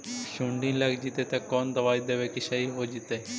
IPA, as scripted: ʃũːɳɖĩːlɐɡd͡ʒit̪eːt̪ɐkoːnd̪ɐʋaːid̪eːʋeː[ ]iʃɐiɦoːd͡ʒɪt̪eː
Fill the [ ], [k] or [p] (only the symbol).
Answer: k